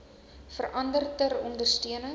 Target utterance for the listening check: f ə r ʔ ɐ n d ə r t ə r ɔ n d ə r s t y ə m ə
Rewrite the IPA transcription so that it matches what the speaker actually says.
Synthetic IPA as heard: f ə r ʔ ɐ n d ə r t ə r ɔ n d ə r s t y ə n ə